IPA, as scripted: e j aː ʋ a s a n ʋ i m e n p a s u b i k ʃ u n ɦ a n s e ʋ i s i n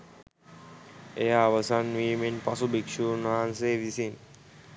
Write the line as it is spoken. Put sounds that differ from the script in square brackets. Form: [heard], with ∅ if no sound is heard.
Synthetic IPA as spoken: e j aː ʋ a s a n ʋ i m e n p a s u b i k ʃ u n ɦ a n s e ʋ i s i n